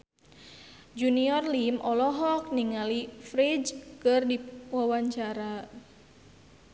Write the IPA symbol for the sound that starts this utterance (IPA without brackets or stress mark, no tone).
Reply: d͡ʒ